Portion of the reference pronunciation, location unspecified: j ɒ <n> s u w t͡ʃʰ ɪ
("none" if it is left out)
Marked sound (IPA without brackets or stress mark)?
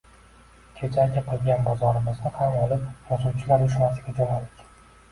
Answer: none